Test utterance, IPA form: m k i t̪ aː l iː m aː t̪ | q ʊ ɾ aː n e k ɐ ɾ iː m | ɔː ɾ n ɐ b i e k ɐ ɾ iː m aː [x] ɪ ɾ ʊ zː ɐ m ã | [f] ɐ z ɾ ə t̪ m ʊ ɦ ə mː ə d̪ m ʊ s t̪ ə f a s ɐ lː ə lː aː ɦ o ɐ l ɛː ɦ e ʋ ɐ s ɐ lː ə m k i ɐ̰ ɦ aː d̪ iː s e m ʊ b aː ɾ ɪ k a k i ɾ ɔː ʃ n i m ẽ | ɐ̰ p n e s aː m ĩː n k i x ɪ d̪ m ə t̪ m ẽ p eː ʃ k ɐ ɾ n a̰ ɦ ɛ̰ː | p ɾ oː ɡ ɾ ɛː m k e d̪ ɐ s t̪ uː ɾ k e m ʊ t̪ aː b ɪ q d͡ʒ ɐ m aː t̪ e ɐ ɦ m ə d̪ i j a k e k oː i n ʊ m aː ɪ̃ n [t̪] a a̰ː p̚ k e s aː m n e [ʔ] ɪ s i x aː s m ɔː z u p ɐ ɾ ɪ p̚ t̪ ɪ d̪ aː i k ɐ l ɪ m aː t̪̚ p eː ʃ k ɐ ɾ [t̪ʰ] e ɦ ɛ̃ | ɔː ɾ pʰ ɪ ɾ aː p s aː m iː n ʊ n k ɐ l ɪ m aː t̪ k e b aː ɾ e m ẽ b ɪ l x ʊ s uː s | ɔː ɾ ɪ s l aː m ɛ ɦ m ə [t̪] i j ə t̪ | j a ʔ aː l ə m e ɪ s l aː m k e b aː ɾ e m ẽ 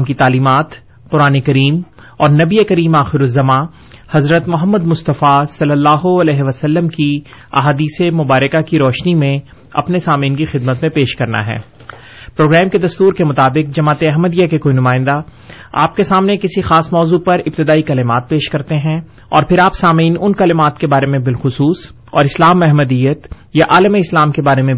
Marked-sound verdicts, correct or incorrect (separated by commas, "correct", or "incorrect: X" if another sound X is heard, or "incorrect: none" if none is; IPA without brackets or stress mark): correct, incorrect: h, incorrect: d̪, incorrect: k, incorrect: t̪, incorrect: d̪